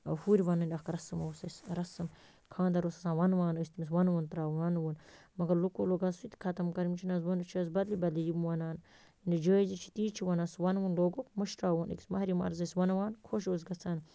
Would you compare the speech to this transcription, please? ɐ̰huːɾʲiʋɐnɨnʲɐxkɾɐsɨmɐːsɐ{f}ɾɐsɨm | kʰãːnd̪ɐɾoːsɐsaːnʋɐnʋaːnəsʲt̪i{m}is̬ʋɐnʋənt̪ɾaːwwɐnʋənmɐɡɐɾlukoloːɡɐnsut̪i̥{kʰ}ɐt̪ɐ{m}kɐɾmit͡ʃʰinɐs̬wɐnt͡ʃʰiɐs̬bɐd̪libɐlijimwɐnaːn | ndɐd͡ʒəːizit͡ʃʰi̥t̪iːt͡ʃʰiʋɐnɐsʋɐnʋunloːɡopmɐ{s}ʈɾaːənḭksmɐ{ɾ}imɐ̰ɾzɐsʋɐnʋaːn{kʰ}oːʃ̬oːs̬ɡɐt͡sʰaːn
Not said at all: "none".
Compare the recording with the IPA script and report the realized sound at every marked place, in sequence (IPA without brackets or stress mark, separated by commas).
s, m, kʰ, m, ʃ, ɾ, kʰ